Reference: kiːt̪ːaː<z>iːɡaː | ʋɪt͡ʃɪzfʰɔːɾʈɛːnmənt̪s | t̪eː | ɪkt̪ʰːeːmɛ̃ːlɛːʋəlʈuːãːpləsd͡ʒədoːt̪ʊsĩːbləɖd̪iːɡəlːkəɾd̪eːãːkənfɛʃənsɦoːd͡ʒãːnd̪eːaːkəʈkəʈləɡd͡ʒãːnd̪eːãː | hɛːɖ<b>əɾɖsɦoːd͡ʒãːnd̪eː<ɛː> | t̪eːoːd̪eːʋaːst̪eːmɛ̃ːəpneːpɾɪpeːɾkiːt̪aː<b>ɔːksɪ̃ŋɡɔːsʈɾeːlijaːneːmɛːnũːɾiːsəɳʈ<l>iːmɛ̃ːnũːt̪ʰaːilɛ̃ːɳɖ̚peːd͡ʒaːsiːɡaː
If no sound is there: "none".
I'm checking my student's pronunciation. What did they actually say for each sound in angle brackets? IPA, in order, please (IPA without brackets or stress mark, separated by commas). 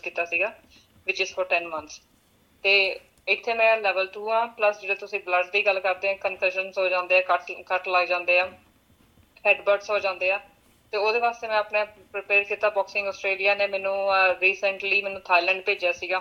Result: s, b, aː, b, l